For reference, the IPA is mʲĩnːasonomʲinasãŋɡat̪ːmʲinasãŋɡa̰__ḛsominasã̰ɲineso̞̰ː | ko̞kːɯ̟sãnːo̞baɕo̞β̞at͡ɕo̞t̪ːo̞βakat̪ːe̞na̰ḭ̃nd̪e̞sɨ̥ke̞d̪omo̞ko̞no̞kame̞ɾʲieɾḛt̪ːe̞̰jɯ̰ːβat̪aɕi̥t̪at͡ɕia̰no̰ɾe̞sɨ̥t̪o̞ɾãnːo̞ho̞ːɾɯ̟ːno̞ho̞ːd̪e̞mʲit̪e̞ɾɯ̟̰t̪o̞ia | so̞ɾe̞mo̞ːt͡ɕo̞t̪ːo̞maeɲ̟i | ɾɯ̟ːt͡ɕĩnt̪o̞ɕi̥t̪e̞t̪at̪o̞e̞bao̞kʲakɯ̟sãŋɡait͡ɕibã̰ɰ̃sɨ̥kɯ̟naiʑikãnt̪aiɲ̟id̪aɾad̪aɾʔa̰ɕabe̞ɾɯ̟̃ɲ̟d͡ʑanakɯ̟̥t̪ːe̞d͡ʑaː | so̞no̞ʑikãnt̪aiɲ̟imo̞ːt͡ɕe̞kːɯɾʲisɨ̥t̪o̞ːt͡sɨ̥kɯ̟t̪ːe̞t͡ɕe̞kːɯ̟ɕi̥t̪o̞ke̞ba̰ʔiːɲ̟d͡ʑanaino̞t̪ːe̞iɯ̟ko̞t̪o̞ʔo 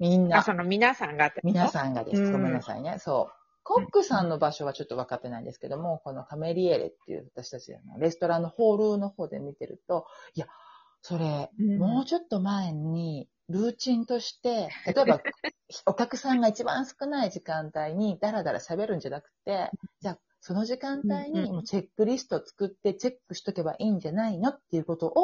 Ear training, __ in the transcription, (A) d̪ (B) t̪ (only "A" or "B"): A